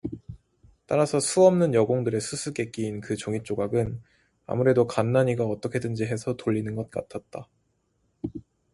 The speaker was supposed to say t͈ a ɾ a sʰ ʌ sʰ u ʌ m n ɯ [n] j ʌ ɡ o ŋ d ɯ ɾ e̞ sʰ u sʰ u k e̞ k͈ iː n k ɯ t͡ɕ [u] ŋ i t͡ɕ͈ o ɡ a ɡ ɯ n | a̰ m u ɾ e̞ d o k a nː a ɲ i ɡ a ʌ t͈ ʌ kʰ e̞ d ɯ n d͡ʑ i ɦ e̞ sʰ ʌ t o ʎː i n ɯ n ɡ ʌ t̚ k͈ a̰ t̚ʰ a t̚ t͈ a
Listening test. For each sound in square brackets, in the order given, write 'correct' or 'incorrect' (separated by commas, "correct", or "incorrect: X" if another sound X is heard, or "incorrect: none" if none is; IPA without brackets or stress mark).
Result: correct, incorrect: o